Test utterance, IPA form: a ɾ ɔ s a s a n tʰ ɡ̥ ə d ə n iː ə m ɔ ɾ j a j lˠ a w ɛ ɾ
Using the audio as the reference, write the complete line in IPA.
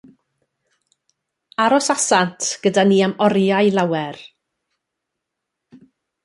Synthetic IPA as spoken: a ɾ ɔ s a s a n tʰ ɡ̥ ə d a n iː a m ɔ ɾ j a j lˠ a w ɛ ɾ

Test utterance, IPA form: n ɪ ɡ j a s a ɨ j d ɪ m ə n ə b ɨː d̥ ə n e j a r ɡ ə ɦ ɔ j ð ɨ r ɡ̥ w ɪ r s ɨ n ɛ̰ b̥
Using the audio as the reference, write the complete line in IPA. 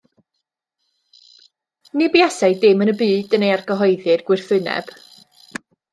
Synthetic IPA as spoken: n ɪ b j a s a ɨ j d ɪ m ə n ə b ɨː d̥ ə n e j a r ɡ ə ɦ ɔ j ð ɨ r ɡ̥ w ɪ r θ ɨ n ɛ̰ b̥

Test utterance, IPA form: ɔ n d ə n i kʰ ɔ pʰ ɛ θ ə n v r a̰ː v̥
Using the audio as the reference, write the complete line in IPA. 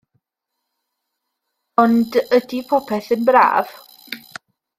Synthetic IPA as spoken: ɔ n d ə d i pʰ ɔ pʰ ɛ θ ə n b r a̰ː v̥

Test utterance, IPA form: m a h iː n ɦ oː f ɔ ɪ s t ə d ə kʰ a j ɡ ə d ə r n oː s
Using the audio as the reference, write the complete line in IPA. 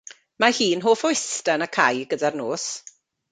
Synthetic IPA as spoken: m a h iː n ɦ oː f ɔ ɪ s t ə n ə kʰ a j ɡ ə d a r n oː s

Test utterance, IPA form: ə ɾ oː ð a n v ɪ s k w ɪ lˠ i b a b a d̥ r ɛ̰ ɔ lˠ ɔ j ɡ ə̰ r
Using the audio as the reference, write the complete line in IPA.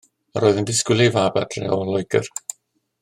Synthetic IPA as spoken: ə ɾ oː ð ə n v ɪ s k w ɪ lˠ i v a b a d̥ r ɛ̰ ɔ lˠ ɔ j ɡ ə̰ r

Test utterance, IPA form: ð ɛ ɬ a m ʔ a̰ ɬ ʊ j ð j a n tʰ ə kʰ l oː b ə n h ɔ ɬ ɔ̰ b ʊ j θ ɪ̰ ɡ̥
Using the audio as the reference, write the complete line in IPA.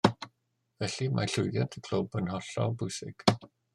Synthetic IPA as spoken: v ɛ ɬ i m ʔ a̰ ɬ ʊ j ð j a n tʰ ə kʰ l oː b ə n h ɔ ɬ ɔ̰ b ʊ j s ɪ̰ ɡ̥

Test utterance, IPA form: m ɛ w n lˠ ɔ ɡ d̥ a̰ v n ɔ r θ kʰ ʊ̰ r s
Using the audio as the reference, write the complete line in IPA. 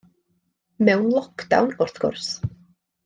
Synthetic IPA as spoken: m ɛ w n lˠ ɔ k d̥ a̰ w n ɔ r θ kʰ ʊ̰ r s

